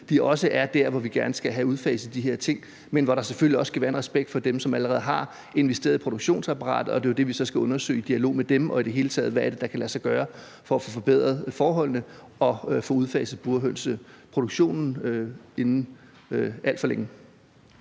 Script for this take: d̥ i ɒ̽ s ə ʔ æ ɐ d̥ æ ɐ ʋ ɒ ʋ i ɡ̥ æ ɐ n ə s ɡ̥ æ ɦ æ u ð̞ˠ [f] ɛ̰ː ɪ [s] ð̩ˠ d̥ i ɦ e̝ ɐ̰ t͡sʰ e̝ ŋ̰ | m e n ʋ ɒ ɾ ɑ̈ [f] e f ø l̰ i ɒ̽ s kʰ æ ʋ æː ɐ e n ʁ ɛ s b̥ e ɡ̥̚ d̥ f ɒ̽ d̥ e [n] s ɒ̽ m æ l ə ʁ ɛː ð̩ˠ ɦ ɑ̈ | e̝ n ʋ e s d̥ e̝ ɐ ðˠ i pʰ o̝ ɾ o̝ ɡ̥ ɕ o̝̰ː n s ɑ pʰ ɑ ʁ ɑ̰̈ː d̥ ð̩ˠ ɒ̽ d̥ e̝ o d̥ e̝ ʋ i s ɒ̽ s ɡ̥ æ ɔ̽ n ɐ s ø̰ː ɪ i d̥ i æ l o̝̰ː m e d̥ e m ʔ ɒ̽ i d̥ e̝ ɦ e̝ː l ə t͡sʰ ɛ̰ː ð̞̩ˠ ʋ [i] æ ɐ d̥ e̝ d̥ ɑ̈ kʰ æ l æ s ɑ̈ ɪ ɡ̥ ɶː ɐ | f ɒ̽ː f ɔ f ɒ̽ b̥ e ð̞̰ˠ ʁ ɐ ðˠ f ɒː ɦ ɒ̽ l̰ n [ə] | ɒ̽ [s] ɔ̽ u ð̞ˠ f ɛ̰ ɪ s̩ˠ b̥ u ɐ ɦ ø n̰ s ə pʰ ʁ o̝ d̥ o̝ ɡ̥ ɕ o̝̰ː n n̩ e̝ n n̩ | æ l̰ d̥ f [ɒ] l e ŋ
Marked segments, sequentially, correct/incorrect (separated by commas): correct, correct, incorrect, incorrect, incorrect, correct, incorrect, correct